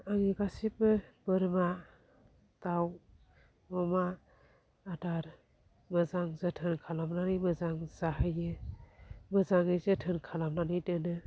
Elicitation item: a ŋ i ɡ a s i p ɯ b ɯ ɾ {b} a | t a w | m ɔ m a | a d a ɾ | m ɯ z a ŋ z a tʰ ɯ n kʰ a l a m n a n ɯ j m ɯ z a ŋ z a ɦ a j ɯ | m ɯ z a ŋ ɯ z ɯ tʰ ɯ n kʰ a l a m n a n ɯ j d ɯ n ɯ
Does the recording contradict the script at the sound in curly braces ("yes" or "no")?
yes